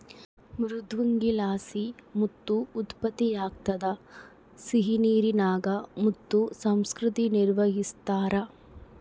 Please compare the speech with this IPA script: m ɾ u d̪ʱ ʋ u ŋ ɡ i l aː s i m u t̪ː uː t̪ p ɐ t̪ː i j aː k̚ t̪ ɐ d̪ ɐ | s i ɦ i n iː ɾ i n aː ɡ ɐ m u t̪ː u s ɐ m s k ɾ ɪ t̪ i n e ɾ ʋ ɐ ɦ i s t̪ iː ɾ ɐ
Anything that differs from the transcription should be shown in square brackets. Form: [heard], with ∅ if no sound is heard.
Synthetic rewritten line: m ɾ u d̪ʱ ʋ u ŋ ɡ i l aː s i m u t̪ː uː t̪ p ɐ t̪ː i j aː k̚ t̪ ɐ d̪ ɐ | s i ɦ i n iː ɾ i n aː ɡ ɐ m u t̪ː u s ɐ m s k ɾ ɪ t̪ i n [i] ɾ ʋ ɐ ɦ i s t̪ [aː] ɾ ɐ